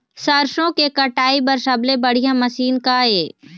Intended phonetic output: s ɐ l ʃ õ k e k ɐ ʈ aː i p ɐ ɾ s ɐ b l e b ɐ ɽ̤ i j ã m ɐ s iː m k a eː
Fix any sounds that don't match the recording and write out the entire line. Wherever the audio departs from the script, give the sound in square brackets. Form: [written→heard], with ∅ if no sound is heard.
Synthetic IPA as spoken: s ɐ [l→ɾ] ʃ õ k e k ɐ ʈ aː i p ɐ ɾ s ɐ b l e b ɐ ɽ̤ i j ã m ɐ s iː [m→n] k a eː